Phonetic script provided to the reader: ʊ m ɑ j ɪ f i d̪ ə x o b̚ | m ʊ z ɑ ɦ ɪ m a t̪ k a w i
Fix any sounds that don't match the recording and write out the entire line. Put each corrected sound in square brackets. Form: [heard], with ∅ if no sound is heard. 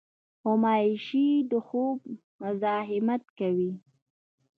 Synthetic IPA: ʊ m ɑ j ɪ [ʃ] i d̪ ə x o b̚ | m ʊ z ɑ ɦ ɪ m a t̪ k a w i